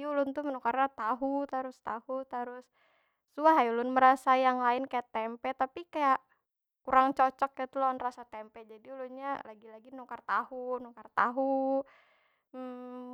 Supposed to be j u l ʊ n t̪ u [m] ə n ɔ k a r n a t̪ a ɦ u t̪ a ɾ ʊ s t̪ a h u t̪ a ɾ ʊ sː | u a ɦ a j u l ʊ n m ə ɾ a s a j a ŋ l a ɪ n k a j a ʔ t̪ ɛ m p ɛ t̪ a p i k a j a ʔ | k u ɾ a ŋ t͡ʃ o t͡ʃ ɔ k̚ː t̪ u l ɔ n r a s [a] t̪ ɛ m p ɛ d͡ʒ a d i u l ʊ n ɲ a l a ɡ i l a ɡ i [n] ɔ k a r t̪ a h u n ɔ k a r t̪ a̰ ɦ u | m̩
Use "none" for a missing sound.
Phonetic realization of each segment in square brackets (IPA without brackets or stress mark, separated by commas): m, a, n